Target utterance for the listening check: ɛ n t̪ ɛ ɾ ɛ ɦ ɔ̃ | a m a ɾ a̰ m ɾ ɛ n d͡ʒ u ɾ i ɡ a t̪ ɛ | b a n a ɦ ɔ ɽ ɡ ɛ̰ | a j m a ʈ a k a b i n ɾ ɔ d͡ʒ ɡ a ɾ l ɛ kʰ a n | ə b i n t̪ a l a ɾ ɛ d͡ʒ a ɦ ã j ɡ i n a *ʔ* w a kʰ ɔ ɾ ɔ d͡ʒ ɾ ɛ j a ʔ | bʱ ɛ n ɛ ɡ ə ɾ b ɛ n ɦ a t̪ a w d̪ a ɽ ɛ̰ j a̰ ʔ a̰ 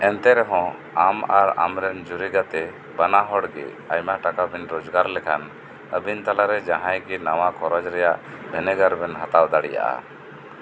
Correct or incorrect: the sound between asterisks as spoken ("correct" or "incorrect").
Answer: incorrect